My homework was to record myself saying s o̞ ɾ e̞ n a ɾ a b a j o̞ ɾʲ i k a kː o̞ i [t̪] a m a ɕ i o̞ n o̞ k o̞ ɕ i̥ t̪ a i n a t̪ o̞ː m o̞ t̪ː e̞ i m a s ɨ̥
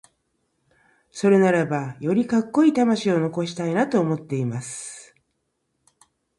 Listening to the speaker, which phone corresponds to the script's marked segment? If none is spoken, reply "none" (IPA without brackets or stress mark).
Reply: t̪